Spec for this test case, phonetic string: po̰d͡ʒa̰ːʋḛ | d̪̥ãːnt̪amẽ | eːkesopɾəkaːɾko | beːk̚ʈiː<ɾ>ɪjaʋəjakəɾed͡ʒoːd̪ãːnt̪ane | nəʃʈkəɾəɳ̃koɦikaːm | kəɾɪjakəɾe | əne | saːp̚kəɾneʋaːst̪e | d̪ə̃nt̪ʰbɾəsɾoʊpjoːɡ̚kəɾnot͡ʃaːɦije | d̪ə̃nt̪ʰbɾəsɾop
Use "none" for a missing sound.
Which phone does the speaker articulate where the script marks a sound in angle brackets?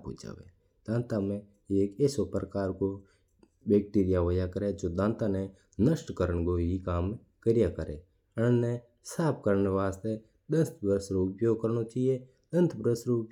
ɾ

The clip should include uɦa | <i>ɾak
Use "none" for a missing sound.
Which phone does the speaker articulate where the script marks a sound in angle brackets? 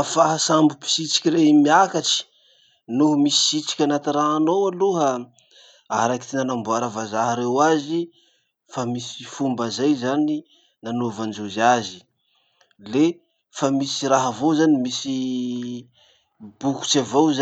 a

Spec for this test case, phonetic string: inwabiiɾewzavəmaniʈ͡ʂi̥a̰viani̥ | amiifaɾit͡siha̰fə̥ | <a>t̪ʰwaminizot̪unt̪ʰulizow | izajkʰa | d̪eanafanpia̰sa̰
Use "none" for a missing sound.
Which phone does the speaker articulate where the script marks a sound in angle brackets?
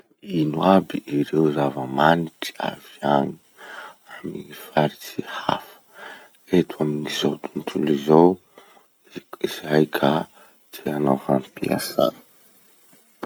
e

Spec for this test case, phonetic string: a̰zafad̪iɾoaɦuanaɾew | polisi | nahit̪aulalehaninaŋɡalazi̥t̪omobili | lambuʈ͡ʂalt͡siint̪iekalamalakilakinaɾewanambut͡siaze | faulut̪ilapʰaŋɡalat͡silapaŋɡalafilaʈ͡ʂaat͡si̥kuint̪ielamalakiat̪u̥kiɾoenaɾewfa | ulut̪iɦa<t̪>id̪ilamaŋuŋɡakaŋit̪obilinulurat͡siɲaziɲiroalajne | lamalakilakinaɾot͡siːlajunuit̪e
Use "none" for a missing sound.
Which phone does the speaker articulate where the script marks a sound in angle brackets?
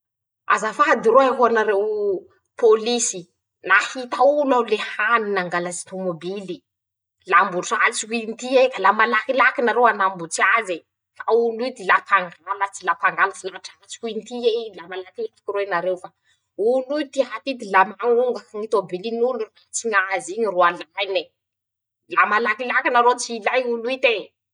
t̪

